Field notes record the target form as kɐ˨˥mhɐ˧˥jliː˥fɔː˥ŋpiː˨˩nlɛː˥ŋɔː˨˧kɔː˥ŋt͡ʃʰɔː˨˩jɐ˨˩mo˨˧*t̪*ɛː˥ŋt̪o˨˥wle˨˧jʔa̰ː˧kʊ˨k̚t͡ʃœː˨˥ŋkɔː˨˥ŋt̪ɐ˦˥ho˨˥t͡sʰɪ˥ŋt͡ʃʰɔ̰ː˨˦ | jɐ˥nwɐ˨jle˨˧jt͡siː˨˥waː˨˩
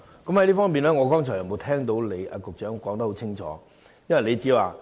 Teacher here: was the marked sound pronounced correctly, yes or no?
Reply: no